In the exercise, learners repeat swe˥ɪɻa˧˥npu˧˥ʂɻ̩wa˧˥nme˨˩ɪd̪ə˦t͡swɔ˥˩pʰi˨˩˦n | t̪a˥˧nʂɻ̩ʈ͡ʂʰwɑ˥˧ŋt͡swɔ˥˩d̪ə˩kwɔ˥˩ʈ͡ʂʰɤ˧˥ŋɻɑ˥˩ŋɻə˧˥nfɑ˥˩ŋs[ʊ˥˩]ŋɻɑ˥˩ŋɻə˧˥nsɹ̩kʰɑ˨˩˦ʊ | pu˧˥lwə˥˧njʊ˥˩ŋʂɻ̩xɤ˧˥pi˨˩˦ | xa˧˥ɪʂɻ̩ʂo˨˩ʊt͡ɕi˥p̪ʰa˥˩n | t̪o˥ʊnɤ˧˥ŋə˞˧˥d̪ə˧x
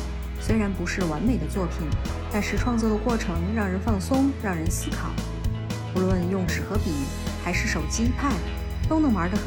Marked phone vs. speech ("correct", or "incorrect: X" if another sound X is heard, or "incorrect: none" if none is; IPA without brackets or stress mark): incorrect: ʊ˥